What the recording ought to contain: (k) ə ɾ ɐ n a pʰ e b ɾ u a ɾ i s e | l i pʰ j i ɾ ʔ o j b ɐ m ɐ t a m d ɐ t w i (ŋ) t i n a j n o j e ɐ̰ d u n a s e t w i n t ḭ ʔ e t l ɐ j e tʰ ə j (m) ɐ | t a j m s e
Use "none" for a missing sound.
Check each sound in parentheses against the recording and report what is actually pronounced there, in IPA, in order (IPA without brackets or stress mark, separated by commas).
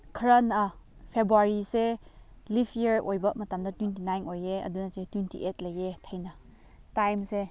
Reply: kʰ, n, n